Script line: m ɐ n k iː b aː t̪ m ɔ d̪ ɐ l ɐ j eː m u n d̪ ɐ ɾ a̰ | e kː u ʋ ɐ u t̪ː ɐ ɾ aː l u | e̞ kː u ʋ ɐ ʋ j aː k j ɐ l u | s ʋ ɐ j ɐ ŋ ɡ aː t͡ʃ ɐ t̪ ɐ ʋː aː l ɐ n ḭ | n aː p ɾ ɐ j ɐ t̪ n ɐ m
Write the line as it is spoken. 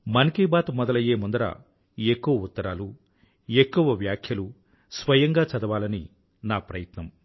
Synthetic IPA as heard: m ɐ n k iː b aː t̪ m ɔ d̪ ɐ l ɐ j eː m u n d̪ ɐ ɾ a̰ | e kː u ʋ ɐ u t̪ː ɐ ɾ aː l u | e̞ kː u ʋ ɐ ʋ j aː kʰ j ɐ l u | s ʋ ɐ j ɐ ŋ ɡ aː t͡ʃ ɐ d̪ ɐ ʋ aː l ɐ n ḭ | n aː p ɾ ɐ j ɐ t̪ n ɐ m